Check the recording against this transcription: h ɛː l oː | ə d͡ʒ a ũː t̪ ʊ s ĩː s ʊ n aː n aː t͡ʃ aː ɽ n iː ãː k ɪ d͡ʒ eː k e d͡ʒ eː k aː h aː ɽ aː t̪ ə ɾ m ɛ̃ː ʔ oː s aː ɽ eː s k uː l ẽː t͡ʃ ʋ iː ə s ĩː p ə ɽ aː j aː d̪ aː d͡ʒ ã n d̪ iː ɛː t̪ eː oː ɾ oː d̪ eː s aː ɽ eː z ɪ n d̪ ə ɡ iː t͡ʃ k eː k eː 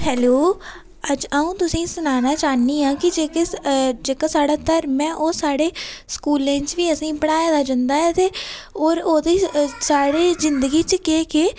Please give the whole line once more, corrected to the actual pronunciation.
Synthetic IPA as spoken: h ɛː l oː | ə d͡ʒ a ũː t̪ ʊ s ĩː s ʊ n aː n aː t͡ʃ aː n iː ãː k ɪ d͡ʒ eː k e d͡ʒ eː k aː s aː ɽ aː t̪ ə ɾ m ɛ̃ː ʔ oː s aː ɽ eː s k uː l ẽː t͡ʃ ʋ iː ə s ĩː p ə ɽ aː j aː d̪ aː d͡ʒ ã n d̪ aː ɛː t̪ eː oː ɾ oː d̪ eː s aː ɽ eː z ɪ n d̪ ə ɡ iː t͡ʃ k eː k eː

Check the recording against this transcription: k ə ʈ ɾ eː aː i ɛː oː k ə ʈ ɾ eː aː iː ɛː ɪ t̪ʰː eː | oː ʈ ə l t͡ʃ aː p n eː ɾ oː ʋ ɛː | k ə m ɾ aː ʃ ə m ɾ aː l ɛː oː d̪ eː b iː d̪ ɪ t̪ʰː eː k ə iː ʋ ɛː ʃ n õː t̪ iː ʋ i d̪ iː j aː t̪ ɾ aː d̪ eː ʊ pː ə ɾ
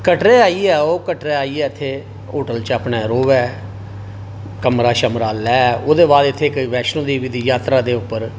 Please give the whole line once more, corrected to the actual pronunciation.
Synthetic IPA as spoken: k ə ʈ ɾ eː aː i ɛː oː k ə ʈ ɾ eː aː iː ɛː ɪ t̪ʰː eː | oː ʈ ə l t͡ʃ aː p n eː ɾ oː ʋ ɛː | k ə m ɾ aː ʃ ə m ɾ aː l ɛː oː d̪ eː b aː d̪ ɪ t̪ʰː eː k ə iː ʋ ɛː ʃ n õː d̪ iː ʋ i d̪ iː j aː t̪ ɾ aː d̪ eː ʊ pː ə ɾ

